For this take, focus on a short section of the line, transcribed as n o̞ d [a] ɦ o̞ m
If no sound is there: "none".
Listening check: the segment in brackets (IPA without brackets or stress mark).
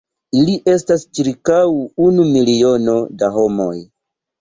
a